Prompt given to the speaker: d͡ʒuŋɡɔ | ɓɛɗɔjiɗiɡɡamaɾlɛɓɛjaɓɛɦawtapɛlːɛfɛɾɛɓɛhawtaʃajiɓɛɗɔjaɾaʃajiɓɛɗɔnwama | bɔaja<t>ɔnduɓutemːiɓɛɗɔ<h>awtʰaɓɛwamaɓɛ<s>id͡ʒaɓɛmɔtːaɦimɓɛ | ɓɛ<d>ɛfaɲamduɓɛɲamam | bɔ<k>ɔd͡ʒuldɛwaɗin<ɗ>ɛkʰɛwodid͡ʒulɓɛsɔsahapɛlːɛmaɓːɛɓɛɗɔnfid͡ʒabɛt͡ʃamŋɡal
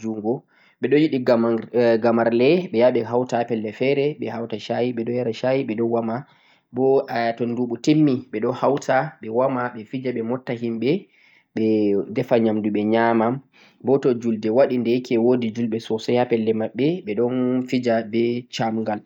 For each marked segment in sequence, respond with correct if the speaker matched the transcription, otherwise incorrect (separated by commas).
correct, correct, incorrect, correct, incorrect, incorrect